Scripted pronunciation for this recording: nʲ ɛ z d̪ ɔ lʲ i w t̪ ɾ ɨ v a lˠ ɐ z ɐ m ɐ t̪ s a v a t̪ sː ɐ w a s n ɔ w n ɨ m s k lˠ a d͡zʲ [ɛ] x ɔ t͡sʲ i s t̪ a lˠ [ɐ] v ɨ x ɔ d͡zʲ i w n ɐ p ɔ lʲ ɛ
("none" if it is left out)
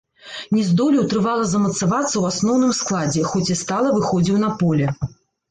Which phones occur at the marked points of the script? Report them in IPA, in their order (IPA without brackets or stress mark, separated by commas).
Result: ɛ, ɐ